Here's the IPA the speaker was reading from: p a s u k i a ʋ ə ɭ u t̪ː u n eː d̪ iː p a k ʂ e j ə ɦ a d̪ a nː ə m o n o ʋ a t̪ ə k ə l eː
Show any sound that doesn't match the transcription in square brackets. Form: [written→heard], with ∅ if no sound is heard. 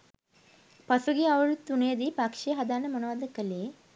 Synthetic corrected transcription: p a s u [k→ɡ] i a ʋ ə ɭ u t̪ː u n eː d̪ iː p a k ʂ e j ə ɦ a d̪ a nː ə m o n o ʋ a [t̪→d̪] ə k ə l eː